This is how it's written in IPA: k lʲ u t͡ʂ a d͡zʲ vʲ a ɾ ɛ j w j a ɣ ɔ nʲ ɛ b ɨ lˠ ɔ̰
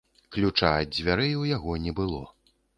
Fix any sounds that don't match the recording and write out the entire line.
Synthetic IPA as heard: k lʲ u t͡ʂ a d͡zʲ vʲ a ɾ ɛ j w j a ɣ ɔ nʲ ɛ b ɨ lˠ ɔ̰